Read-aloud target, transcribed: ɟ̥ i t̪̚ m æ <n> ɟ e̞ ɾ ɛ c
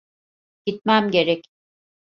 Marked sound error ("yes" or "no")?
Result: yes